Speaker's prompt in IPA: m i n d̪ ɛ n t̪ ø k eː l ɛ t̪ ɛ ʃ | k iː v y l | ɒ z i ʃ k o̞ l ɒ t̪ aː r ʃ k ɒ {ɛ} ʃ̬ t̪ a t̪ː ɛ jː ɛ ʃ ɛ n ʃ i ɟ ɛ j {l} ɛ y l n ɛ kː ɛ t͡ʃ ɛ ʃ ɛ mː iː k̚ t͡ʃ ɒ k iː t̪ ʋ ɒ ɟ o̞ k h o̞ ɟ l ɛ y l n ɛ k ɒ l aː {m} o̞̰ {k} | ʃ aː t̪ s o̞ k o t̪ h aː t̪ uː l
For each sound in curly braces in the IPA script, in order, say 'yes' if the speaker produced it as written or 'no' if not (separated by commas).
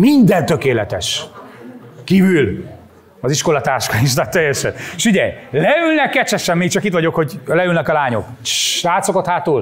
no, yes, no, yes